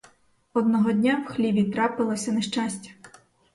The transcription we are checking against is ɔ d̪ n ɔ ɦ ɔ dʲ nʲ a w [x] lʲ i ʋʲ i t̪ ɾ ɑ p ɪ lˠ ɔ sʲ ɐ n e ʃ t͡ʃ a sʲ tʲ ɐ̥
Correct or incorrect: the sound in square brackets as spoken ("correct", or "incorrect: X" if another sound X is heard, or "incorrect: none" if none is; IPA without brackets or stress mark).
correct